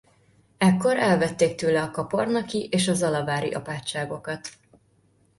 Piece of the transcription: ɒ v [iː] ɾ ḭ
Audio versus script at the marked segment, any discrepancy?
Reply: yes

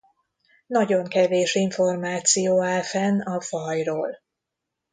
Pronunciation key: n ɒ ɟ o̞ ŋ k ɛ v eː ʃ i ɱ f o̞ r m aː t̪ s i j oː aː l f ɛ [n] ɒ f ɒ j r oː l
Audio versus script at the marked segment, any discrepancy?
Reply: no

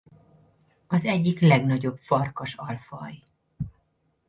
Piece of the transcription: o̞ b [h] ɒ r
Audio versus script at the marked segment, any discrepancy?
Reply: yes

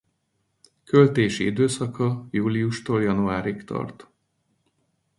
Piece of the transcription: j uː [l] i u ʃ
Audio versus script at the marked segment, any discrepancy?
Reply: no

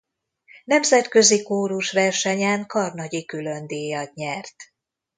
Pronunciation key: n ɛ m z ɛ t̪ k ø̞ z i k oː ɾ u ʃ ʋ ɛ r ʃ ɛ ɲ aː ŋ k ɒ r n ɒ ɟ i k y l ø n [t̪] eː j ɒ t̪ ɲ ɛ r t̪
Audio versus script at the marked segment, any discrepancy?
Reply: yes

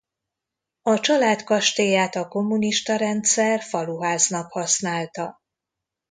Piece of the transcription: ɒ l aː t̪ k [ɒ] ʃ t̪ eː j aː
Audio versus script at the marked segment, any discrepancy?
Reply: no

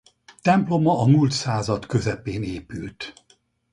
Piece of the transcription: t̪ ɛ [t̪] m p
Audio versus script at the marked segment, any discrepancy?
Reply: yes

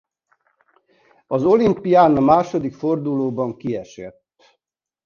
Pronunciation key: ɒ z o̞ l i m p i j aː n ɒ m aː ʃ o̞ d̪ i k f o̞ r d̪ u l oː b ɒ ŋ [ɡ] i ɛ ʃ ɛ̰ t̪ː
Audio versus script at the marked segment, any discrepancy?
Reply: yes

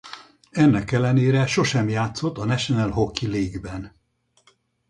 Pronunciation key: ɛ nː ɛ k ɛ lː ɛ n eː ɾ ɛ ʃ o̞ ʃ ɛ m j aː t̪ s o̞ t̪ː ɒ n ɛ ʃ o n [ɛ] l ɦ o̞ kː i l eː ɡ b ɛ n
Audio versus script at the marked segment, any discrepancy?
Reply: no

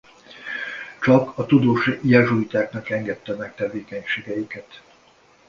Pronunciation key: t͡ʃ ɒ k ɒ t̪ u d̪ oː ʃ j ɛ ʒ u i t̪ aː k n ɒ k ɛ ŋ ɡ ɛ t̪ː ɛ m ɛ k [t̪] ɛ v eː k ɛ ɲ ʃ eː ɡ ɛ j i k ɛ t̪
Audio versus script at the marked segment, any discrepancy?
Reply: no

